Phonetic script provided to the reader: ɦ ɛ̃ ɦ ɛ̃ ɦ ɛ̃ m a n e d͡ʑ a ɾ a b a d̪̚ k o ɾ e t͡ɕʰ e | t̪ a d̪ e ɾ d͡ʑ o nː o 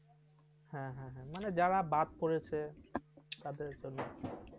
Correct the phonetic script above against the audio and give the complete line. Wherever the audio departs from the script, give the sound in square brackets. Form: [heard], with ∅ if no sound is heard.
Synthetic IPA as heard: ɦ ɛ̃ ɦ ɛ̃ ɦ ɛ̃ m a n e d͡ʑ a ɾ a b a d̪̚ [p] o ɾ e t͡ɕʰ e | t̪ a d̪ e ɾ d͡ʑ o nː o